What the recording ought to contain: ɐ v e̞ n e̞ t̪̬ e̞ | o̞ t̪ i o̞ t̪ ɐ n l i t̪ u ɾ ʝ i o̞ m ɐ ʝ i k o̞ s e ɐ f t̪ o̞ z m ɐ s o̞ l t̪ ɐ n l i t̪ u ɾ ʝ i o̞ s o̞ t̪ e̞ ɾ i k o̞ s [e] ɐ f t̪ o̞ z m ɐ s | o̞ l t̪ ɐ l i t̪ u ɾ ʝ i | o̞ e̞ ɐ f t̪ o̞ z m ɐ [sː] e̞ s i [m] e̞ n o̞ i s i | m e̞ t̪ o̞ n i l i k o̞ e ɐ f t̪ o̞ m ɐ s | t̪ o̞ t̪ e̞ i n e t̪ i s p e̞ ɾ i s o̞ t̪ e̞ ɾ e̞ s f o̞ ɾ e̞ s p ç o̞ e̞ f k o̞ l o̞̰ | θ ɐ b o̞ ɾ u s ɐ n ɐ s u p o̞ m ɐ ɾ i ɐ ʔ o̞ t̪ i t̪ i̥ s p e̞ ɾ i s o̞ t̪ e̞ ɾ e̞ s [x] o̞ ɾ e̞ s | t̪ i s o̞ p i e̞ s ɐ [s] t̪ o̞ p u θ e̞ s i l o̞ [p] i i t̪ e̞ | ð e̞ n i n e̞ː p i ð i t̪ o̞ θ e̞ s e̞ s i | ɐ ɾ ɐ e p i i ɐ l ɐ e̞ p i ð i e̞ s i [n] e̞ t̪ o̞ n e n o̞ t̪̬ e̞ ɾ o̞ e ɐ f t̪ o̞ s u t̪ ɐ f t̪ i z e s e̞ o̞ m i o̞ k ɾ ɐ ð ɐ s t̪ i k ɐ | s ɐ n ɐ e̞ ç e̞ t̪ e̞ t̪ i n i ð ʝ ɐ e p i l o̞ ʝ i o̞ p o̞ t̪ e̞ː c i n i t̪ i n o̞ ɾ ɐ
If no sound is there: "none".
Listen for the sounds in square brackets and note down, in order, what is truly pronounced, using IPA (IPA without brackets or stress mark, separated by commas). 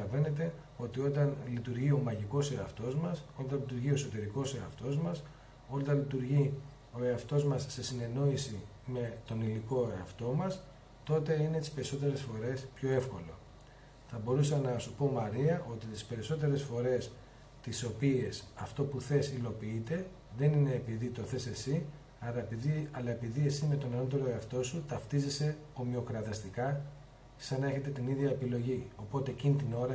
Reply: e, sː, n, f, f, p, m